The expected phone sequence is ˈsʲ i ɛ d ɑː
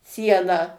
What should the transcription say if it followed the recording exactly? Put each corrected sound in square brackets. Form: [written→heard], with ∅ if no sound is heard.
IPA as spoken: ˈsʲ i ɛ [d→n] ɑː